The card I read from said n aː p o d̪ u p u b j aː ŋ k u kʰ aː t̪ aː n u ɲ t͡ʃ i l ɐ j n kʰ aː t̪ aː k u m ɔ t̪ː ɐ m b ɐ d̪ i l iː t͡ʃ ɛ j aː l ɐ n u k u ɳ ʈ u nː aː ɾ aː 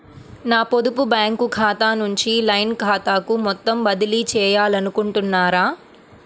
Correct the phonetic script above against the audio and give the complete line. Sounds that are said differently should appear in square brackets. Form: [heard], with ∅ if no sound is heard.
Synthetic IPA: n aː p o d̪ u p u b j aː ŋ k u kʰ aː t̪ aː n u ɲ t͡ʃ i l ɐ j n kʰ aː t̪ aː k u m ɔ t̪ː ɐ m b ɐ d̪ i l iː t͡ʃ [ɛː] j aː l ɐ n u k u ɳ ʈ u nː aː ɾ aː